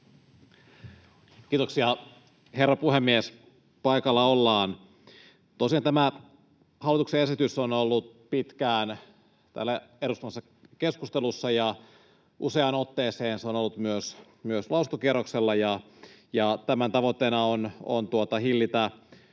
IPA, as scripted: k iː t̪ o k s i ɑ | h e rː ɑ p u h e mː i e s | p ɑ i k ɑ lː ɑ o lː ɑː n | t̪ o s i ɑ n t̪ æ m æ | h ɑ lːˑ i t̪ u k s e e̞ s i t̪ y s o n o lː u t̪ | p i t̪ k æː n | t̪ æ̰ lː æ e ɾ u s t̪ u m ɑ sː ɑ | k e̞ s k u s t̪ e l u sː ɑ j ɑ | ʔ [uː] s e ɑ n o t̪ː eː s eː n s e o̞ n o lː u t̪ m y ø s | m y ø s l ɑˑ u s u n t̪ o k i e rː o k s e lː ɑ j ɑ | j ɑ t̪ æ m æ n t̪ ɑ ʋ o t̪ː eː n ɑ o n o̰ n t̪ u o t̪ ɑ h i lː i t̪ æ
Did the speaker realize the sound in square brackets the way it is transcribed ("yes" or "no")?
no